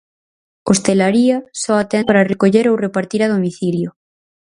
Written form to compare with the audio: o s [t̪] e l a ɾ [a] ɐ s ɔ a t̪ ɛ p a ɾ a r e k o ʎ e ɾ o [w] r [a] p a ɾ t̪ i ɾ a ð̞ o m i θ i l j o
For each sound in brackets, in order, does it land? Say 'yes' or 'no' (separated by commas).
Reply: yes, no, yes, no